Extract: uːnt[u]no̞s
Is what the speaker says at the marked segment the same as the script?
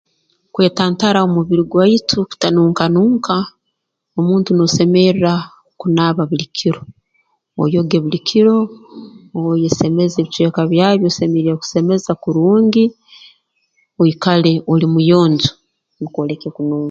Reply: yes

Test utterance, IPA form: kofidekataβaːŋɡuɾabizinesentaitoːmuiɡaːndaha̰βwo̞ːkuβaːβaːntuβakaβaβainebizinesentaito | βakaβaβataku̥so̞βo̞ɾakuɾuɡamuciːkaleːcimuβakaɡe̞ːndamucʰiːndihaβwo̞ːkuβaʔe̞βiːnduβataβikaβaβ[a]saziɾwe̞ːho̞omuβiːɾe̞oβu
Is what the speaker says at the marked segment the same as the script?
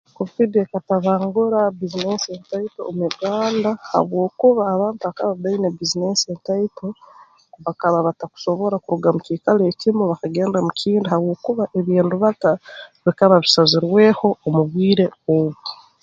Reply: no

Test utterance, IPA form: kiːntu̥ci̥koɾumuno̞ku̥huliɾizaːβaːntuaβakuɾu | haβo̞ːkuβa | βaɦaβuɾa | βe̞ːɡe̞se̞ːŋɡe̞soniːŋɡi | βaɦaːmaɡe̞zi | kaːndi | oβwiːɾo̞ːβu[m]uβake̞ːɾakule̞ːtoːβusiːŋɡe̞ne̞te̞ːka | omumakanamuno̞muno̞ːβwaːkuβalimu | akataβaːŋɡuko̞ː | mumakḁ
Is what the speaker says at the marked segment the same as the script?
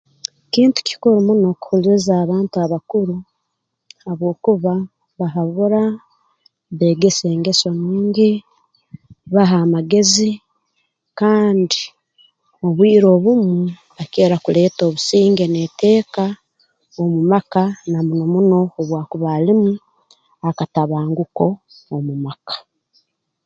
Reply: yes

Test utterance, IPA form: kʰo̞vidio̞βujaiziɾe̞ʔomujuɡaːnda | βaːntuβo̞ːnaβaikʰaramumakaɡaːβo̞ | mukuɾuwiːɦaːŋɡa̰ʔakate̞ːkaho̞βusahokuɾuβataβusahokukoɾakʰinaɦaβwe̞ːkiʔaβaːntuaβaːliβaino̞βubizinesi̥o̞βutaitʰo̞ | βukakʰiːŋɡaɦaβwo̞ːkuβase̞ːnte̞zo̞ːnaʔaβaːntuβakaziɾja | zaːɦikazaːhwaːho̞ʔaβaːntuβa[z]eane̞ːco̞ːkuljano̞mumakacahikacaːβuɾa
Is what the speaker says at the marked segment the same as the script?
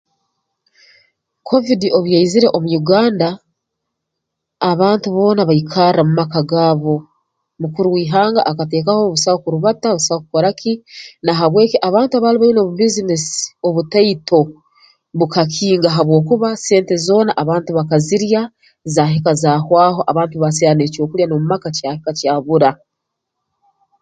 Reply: no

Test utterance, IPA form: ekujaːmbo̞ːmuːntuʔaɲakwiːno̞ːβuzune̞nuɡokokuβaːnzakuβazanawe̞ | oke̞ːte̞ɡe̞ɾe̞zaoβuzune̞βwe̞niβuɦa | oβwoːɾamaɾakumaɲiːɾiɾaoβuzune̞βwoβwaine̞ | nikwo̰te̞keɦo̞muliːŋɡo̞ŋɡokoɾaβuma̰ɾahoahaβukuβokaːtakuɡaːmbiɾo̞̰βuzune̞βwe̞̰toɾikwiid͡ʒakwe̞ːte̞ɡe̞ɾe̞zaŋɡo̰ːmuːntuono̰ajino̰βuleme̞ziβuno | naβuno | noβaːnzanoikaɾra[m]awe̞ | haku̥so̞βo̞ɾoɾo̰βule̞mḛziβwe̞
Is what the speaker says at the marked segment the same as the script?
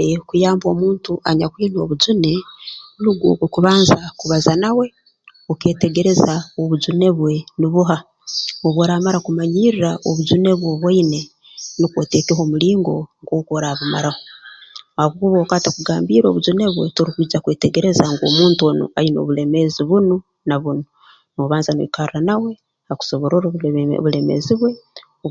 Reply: no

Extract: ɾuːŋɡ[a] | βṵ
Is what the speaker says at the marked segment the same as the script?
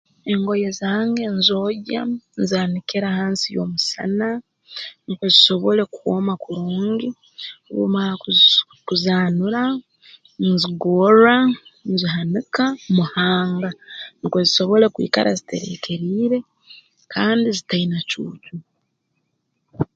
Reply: no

